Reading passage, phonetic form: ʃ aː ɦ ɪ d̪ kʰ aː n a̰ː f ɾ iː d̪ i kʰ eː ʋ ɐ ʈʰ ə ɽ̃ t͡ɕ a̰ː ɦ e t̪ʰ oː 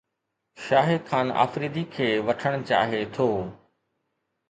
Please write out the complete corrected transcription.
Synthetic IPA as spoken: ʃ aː ɦ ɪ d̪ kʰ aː n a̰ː f ɾ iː d̪ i kʰ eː ʋ ɐ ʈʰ ə ɽ̃ t͡ɕ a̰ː ɦ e t̪ʰ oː